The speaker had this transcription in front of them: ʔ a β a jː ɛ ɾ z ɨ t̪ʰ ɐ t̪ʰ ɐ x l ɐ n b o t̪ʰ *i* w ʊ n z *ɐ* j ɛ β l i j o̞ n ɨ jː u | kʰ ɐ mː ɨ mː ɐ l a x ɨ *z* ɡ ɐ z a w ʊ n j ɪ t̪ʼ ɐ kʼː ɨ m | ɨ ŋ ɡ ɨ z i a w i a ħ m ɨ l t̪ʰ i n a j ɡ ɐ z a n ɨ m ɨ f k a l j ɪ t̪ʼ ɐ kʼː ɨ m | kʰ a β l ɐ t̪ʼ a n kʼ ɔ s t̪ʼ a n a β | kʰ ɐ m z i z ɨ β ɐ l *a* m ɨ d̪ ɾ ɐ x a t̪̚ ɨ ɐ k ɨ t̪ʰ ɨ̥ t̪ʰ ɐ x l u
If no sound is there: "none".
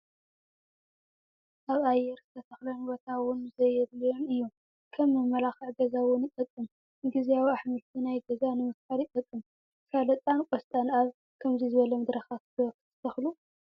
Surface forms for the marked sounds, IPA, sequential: a, ɐ, ʕ, ɐ

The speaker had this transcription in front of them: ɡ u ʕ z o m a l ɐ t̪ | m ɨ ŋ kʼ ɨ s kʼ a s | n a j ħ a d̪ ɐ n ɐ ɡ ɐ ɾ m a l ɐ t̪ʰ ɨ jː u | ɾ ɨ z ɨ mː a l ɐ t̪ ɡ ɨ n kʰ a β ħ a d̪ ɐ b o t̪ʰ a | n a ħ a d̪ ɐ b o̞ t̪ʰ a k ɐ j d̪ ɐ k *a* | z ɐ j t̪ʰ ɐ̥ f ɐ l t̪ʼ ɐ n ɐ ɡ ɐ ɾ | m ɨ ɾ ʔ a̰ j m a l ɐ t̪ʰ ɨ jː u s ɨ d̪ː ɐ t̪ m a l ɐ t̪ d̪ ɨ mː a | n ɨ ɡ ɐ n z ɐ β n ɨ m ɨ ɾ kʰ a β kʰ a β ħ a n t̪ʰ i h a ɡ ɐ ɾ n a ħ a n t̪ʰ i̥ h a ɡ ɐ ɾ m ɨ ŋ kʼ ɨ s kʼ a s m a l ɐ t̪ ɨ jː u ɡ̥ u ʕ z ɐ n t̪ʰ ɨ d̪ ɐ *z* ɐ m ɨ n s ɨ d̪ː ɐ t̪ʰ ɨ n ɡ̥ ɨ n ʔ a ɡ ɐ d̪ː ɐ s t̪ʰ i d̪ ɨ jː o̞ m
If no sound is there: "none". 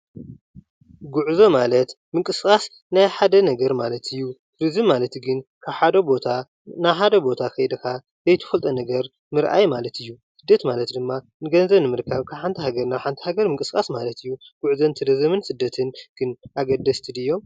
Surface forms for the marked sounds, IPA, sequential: a, z

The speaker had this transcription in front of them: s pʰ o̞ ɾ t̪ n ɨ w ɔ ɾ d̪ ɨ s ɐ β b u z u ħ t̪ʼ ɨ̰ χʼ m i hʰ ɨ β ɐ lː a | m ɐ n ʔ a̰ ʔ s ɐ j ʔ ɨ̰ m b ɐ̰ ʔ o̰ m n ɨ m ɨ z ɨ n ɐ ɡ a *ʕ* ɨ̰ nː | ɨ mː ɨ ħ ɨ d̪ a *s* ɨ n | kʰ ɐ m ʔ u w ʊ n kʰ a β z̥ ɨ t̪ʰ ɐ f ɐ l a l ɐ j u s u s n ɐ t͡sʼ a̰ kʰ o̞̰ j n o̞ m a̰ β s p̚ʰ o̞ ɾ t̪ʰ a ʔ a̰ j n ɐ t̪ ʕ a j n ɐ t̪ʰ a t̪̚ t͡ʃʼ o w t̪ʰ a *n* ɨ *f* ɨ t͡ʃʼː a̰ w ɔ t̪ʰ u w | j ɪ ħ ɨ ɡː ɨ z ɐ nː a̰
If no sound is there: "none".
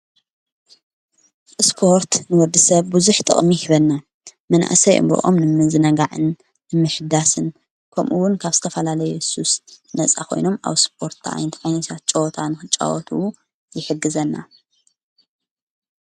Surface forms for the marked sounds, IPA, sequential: ʕ, s, n, x

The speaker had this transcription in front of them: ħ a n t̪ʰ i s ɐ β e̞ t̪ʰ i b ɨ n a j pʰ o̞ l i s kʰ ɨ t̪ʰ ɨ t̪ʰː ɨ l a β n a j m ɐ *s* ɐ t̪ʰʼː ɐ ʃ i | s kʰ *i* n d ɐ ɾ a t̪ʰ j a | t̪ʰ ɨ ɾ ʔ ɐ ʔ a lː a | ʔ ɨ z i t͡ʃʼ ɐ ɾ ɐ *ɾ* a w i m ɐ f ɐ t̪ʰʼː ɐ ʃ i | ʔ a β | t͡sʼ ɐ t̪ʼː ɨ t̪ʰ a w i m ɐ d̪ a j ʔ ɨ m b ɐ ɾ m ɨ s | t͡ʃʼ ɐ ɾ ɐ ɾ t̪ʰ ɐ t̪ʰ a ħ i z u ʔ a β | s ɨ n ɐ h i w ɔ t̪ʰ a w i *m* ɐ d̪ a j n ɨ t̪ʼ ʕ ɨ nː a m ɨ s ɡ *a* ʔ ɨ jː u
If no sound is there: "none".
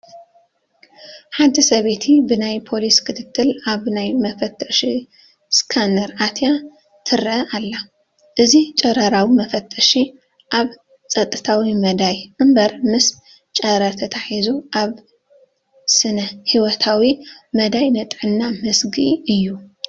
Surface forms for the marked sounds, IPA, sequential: f, a, ɾ, m, i

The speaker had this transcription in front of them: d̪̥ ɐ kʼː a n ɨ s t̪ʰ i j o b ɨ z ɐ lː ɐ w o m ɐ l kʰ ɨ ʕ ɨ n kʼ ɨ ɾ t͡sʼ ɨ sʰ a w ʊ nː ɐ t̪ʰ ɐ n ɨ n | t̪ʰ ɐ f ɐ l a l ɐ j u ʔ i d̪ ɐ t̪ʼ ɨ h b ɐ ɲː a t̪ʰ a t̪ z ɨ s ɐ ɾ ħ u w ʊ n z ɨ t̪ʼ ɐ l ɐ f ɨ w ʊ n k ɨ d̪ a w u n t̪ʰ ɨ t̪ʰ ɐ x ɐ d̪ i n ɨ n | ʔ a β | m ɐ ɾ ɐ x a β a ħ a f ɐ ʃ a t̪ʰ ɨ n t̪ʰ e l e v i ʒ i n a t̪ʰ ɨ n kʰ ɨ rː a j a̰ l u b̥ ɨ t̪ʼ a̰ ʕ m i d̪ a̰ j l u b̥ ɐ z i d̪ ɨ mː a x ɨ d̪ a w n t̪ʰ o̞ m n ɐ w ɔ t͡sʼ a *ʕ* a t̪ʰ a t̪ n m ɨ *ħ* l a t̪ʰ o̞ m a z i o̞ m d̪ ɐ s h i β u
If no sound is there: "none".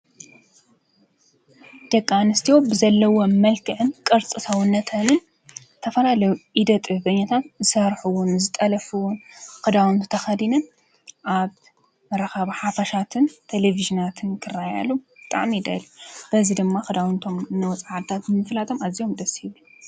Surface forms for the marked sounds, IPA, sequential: ʕ, f

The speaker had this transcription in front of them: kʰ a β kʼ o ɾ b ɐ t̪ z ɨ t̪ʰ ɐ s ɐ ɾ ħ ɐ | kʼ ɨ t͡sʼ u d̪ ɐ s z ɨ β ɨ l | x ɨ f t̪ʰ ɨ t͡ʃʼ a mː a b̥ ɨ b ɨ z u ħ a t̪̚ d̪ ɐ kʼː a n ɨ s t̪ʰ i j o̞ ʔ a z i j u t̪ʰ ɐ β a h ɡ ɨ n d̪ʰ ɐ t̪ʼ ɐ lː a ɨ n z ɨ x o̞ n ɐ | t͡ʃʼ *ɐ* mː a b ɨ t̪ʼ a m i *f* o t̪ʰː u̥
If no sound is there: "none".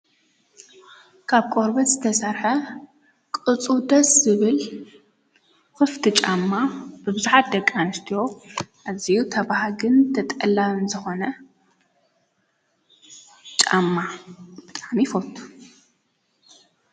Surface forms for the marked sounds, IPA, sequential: a, f

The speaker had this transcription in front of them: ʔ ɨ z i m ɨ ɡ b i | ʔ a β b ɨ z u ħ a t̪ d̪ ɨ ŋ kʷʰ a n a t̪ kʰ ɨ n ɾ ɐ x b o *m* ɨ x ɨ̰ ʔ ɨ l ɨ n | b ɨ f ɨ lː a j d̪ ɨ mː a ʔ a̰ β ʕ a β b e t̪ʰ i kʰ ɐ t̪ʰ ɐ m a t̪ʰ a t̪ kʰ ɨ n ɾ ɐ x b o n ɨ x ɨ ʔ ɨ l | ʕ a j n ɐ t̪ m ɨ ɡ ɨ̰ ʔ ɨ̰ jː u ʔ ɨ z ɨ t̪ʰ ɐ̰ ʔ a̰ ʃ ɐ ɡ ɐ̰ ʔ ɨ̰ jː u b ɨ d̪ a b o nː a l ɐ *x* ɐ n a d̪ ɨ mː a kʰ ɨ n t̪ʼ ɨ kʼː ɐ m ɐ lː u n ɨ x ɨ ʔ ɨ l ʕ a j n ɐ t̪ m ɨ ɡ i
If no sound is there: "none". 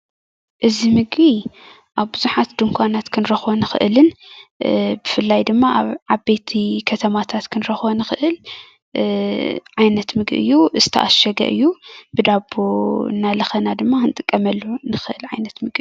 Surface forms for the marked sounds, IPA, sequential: n, x

